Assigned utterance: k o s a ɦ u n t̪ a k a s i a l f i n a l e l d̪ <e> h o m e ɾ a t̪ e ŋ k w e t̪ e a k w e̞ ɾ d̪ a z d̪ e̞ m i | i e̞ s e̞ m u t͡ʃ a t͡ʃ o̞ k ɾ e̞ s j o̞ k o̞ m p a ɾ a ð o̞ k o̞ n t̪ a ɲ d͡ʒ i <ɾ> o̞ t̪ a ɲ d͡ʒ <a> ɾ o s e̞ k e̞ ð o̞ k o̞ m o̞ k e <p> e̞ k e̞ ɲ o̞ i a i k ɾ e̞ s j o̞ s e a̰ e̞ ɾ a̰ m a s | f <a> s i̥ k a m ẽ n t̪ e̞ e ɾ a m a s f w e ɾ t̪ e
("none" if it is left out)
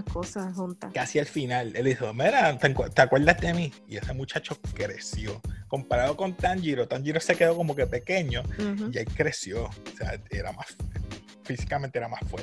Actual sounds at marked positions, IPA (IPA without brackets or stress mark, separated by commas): i, ɾ, i, p, i